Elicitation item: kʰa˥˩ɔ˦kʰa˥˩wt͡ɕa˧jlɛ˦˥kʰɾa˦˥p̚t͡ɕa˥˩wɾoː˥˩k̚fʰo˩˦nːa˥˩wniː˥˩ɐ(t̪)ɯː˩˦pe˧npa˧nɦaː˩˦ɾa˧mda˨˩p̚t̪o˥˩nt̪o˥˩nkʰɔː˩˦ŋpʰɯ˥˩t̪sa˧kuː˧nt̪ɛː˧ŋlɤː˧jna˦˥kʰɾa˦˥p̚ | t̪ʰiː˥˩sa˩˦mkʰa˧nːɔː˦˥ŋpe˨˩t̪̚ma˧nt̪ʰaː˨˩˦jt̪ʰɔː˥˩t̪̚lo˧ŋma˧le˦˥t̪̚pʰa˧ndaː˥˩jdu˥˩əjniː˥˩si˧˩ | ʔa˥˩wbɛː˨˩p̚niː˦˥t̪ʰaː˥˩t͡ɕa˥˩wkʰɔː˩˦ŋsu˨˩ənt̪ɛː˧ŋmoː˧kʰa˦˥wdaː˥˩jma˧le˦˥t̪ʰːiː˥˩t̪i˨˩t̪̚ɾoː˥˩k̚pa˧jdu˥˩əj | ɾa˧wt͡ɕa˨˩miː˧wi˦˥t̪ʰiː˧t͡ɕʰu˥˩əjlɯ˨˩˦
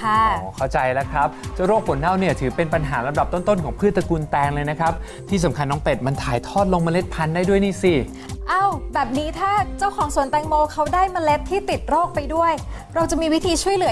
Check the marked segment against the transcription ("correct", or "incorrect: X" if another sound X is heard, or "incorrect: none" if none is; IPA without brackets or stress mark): incorrect: t̪ʰ